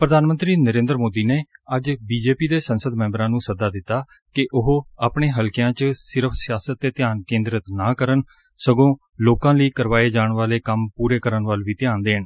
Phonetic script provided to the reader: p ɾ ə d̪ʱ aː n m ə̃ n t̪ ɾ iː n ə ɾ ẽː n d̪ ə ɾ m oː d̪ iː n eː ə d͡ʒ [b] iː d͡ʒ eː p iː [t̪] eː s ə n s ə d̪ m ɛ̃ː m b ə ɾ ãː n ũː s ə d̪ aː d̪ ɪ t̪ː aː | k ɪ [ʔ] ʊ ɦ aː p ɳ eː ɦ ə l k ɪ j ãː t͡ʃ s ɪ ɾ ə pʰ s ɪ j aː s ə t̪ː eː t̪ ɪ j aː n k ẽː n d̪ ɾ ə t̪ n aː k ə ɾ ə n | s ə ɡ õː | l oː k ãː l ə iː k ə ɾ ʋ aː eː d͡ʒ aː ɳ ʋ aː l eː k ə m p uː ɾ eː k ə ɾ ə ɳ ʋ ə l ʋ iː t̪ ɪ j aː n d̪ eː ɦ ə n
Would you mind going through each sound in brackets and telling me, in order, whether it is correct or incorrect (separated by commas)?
correct, incorrect, correct